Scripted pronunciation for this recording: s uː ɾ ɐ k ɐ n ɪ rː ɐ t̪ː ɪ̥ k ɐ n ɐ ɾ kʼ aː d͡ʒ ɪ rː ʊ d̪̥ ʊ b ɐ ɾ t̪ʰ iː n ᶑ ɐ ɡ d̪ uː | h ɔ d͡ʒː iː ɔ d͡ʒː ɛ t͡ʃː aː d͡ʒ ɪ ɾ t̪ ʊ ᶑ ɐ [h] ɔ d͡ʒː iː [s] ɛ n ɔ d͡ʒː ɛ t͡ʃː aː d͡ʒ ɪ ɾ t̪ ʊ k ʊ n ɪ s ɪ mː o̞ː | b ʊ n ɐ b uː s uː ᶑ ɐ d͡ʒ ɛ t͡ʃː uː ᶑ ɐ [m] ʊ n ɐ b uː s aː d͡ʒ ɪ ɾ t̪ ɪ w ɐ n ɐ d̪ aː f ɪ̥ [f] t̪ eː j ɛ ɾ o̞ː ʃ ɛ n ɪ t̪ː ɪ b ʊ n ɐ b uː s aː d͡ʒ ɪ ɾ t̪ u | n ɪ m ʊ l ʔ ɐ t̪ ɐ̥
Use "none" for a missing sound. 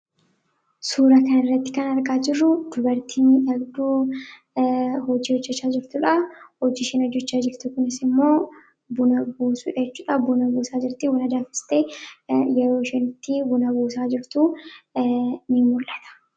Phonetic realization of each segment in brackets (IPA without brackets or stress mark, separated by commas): h, ʃ, b, s